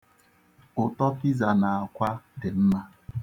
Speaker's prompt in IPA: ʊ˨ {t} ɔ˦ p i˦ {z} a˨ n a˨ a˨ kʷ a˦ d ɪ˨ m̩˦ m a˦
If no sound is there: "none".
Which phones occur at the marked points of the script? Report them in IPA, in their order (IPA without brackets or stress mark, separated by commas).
t, z